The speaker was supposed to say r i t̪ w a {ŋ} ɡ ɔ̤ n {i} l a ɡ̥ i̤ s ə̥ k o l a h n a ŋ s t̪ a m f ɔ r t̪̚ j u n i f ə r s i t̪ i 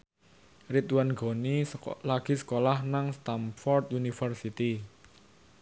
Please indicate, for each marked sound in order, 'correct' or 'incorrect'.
incorrect: n, correct

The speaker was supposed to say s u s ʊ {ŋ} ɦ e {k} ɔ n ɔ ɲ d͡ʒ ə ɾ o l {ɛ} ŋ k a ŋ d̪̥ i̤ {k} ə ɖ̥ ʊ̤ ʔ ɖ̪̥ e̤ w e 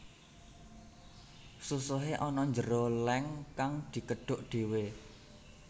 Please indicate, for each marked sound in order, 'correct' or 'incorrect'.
incorrect: none, incorrect: ʔ, correct, correct

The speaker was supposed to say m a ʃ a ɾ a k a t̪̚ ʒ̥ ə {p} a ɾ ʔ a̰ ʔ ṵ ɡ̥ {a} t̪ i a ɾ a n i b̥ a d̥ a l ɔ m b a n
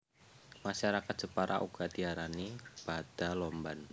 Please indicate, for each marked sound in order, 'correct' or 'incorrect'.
correct, correct

